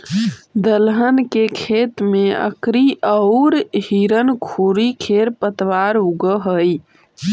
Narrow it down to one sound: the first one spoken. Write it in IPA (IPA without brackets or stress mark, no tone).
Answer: d̪